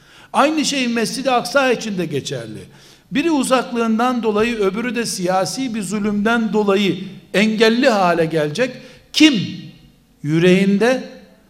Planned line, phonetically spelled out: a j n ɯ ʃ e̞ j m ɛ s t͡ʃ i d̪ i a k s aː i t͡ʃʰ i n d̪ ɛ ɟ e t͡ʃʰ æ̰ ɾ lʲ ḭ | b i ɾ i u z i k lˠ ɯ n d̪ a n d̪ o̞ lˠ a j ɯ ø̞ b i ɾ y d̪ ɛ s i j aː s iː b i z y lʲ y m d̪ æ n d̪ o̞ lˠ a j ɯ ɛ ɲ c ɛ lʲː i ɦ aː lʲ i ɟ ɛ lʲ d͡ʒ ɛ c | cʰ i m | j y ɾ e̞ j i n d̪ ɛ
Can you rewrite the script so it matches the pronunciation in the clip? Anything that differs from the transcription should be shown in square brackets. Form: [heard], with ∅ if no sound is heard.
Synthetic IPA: a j n ɯ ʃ e̞ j m ɛ s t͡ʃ i d̪ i a k s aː i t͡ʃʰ i n d̪ ɛ ɟ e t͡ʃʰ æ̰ ɾ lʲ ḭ | b i ɾ i u z [a] k lˠ [ɯː] n d̪ a n d̪ o̞ lˠ a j ɯ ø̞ b [y] ɾ y d̪ ɛ s i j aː s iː b i z y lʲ y m d̪ æ n d̪ o̞ lˠ a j ɯ ɛ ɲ [ɟ] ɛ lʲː i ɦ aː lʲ [ɛ] ɟ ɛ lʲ d͡ʒ ɛ c | cʰ i m | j y ɾ e̞ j i n d̪ ɛ